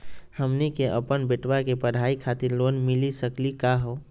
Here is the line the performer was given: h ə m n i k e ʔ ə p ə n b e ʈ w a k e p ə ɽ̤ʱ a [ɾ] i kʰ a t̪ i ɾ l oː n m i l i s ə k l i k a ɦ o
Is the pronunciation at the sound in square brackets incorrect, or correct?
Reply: incorrect